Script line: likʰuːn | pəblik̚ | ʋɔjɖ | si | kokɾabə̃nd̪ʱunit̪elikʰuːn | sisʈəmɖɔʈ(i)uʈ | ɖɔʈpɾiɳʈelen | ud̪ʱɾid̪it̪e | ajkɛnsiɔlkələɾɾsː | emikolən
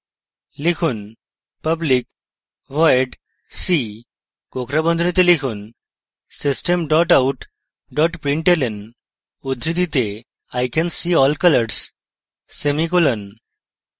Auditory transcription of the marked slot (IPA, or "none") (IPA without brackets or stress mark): a